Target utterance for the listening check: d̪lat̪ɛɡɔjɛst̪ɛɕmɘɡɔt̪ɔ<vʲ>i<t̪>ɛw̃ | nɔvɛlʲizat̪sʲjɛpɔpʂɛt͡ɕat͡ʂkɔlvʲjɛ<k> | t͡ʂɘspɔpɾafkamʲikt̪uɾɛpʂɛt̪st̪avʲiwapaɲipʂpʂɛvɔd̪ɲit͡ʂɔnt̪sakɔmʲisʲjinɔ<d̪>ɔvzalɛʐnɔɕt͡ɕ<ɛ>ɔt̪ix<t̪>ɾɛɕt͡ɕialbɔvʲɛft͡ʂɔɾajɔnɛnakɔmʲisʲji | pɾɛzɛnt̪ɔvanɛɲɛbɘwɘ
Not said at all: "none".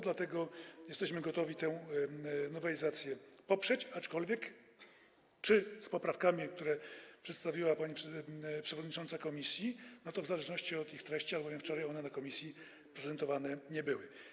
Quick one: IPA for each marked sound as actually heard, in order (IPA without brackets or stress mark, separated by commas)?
vʲ, t̪, k, t̪, i, t̪